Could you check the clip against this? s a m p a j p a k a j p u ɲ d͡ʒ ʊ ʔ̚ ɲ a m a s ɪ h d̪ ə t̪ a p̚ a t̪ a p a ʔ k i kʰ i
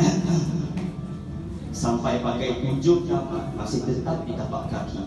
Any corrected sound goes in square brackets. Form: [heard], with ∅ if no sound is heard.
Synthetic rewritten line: s a m p a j p a k a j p u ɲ d͡ʒ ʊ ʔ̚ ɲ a m a s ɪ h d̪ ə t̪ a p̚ [i] t̪ a p a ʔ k [a] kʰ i